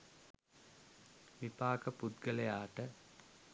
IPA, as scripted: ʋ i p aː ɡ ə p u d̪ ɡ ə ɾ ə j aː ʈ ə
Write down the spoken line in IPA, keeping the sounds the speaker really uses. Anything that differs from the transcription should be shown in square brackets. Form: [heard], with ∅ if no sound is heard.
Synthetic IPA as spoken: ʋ i p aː [k] ə p u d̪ ɡ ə [l] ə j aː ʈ ə